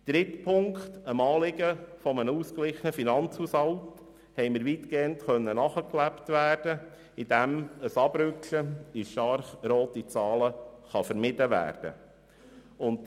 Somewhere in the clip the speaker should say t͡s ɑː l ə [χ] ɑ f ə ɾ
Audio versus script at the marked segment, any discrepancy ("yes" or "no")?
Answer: no